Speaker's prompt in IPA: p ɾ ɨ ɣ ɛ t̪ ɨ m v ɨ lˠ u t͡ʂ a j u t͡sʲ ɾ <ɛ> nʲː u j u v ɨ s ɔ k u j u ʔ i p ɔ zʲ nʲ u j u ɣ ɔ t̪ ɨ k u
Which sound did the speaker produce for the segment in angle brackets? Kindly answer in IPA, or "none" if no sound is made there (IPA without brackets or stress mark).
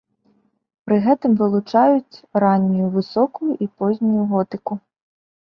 a